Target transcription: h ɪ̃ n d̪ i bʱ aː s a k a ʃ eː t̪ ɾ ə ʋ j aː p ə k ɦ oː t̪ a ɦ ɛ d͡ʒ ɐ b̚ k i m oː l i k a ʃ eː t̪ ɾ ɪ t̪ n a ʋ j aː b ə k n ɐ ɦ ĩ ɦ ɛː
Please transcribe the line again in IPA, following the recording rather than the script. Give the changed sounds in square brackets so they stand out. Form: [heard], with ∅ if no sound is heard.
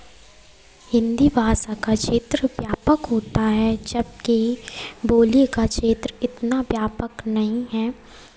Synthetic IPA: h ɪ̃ n d̪ i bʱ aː s a k a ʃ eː t̪ ɾ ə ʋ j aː p ə k ɦ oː t̪ a ɦ ɛ d͡ʒ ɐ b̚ k i [b] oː l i k a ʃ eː t̪ ɾ ɪ t̪ n a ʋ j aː [p] ə k n ɐ ɦ ĩ ɦ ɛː